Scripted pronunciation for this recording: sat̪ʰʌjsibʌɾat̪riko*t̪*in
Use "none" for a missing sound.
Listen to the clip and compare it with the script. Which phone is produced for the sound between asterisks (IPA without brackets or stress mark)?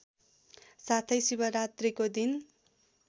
d̪